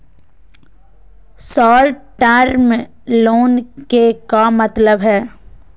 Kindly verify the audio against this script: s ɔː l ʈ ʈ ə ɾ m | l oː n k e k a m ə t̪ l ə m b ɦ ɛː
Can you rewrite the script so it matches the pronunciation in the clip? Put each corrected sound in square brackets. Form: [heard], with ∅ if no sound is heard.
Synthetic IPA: s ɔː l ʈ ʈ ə ɾ m | l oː n k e k a m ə t̪ l ə [∅] b ɦ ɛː